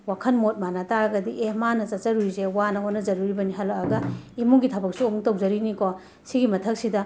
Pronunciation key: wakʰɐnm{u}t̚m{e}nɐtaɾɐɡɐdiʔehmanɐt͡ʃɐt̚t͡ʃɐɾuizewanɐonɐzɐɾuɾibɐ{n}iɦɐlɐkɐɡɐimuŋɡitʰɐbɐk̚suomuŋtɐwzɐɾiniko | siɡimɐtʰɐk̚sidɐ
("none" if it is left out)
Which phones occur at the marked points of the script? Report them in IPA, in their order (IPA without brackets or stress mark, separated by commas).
o, a, n